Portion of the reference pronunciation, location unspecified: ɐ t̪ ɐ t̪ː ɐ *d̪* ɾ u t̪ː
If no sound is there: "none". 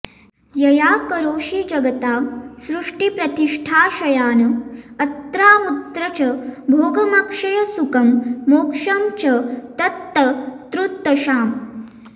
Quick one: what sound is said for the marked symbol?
t̪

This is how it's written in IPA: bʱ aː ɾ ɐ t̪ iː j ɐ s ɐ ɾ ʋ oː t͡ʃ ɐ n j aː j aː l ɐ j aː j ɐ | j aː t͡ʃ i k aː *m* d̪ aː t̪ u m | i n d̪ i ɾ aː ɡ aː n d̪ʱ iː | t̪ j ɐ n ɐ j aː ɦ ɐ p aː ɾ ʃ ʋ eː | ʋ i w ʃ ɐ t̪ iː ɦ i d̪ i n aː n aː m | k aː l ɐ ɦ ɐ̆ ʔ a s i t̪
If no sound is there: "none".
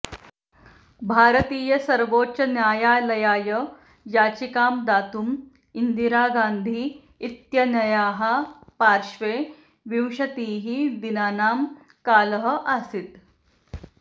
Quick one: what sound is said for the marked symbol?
m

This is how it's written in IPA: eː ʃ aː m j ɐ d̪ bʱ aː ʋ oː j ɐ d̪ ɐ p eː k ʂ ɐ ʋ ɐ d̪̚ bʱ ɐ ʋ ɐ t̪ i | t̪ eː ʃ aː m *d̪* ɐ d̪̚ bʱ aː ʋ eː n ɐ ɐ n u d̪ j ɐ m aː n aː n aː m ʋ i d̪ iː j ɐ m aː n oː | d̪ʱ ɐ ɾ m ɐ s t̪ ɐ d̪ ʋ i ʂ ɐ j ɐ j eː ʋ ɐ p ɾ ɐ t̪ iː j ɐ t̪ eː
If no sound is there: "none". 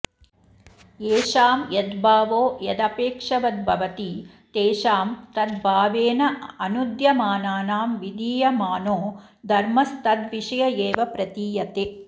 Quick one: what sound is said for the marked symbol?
t̪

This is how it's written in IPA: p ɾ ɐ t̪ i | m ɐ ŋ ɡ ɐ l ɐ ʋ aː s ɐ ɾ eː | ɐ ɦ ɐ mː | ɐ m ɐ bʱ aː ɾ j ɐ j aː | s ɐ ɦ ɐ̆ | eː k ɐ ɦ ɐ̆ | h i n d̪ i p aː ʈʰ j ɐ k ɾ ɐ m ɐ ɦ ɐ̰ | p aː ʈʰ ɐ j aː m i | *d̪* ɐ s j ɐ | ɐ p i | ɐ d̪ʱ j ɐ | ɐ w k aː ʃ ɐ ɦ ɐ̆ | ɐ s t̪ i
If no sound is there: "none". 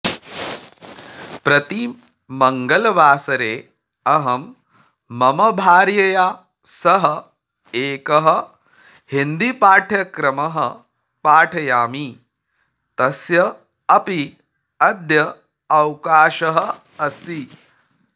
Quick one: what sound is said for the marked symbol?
t̪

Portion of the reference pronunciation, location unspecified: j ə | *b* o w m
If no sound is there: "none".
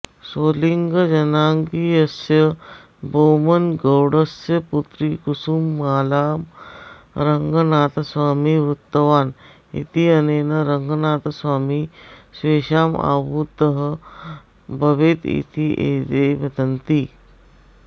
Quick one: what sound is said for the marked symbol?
b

